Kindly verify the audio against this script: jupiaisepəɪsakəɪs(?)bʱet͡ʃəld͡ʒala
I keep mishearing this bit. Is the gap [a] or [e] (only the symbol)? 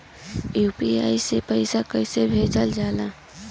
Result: e